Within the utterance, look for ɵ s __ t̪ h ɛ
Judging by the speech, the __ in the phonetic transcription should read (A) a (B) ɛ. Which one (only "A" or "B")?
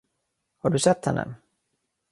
B